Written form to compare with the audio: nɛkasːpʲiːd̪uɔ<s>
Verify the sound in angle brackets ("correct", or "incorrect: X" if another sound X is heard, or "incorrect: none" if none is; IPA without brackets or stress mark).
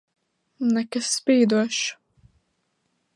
incorrect: ʃ